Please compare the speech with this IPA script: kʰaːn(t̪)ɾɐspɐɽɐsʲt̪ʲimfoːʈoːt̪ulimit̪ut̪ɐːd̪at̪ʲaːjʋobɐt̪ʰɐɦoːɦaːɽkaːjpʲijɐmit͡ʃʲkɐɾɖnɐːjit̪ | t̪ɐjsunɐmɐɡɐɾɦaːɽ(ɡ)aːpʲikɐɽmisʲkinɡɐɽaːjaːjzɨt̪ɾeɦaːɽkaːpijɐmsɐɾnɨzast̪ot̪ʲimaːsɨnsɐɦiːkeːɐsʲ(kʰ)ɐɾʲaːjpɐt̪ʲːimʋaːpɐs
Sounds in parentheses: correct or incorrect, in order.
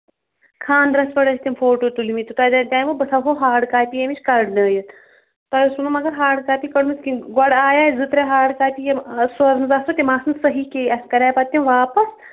incorrect: d̪, incorrect: k, incorrect: k

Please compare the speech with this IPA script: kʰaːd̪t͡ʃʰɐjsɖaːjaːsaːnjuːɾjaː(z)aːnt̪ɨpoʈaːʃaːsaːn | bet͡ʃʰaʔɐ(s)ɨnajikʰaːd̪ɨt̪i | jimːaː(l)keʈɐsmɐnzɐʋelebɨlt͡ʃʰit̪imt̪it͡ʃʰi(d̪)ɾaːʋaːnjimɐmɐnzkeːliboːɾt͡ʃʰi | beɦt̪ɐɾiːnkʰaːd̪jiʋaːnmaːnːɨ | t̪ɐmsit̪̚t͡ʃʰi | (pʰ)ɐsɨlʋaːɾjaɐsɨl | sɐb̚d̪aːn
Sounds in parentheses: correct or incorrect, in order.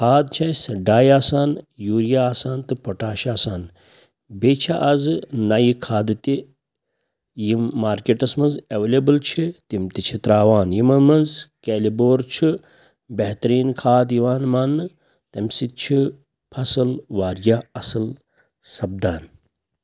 incorrect: s, incorrect: z, incorrect: ɾ, incorrect: t̪, correct

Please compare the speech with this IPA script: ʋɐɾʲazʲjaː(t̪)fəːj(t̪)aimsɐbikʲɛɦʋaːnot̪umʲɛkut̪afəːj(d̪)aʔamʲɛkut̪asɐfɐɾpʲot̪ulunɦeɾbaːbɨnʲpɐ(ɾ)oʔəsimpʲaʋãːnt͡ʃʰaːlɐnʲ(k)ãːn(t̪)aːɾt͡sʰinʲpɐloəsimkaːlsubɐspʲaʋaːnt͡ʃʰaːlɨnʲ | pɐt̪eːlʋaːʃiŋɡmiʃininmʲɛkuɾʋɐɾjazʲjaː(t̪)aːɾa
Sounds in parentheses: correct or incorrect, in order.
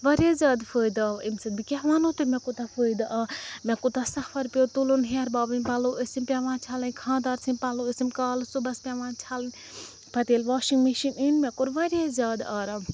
incorrect: d̪, incorrect: d̪, correct, incorrect: l, incorrect: kʰ, incorrect: d̪, incorrect: d̪

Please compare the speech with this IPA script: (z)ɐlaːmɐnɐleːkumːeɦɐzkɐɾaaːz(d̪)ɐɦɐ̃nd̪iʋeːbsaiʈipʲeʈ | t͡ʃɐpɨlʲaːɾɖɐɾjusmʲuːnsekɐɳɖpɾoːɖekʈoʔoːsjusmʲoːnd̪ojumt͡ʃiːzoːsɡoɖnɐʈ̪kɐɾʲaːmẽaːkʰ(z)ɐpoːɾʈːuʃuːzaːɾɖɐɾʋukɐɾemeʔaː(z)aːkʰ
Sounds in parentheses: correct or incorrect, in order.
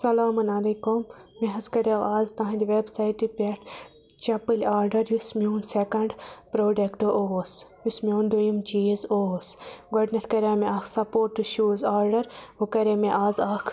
incorrect: s, incorrect: t̪, incorrect: s, correct

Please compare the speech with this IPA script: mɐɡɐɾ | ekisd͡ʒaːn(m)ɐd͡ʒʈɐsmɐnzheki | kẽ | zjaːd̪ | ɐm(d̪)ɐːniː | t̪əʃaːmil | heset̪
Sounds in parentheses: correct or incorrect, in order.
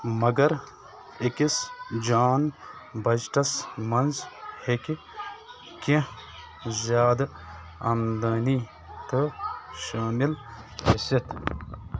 incorrect: b, correct

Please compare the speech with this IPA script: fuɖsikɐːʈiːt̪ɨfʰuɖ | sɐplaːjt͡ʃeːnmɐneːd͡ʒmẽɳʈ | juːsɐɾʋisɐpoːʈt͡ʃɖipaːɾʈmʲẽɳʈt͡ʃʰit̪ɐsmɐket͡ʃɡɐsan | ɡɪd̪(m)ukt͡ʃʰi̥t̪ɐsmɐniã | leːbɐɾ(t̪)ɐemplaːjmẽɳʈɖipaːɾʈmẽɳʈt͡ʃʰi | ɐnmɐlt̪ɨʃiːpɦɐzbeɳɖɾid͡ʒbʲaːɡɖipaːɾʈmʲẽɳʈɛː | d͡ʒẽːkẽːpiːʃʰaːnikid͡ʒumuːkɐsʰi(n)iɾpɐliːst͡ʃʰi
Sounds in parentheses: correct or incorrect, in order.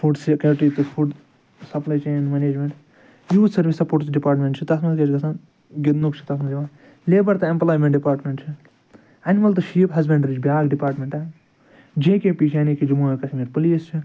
incorrect: n, correct, incorrect: m

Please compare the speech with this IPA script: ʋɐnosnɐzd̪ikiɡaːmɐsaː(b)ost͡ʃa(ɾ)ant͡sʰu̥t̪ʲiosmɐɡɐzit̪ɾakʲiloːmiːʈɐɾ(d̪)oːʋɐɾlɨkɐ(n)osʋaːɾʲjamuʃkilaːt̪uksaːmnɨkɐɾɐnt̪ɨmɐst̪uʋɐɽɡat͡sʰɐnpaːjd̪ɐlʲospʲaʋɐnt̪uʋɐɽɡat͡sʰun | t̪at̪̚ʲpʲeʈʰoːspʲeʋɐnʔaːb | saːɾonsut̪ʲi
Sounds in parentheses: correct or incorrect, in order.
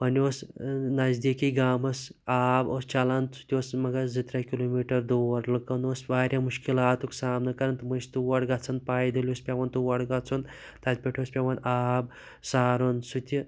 correct, incorrect: l, correct, correct

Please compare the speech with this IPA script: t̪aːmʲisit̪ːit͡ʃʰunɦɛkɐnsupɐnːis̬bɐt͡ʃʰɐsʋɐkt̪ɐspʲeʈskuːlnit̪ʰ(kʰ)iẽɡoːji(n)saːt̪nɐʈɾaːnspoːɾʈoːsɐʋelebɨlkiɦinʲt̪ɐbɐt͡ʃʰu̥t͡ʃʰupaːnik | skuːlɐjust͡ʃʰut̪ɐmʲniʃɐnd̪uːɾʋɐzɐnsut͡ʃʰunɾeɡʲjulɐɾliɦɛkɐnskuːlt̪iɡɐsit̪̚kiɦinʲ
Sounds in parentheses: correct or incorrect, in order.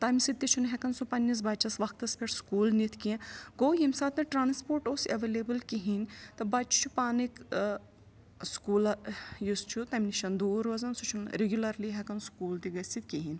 incorrect: k, incorrect: m

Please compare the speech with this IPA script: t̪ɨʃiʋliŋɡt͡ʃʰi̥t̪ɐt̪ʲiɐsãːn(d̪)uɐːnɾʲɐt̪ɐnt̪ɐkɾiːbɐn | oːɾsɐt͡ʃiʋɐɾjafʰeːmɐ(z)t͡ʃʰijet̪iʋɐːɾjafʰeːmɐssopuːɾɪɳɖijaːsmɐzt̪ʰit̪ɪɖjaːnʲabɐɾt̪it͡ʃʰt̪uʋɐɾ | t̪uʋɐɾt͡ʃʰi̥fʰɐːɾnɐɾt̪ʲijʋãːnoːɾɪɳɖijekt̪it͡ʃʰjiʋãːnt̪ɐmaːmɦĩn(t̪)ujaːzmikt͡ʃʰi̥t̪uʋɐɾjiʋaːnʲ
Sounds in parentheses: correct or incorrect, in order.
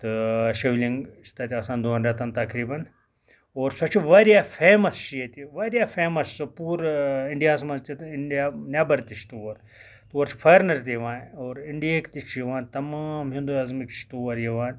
correct, incorrect: s, incorrect: d̪

